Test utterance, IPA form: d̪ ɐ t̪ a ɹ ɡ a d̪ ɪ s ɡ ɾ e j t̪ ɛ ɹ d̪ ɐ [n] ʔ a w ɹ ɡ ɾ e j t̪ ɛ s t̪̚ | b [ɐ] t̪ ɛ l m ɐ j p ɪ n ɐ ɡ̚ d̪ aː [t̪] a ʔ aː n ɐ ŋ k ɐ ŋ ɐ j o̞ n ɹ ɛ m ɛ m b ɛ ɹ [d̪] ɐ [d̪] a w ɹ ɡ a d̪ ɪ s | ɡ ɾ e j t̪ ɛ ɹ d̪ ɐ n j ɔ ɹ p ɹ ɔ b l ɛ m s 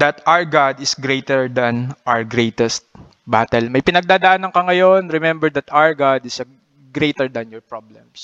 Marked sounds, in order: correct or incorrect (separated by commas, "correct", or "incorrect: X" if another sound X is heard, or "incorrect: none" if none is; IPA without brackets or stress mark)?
correct, incorrect: a, incorrect: d̪, correct, incorrect: t̪